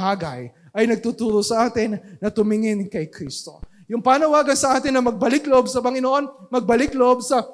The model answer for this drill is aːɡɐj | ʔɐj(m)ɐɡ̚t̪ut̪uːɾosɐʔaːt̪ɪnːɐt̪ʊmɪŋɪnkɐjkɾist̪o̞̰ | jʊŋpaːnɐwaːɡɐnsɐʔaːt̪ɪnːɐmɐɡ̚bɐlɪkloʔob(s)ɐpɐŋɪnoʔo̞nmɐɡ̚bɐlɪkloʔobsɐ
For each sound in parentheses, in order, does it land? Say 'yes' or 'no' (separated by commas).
no, yes